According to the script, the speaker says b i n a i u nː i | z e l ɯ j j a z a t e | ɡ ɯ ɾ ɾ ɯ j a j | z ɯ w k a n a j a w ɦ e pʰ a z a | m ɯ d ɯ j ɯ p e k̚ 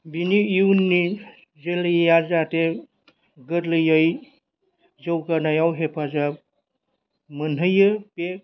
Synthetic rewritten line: b i n i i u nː i | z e l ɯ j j a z a t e | ɡ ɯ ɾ l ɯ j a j | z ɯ w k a n a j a w ɦ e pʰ a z a | m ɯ n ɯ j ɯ p e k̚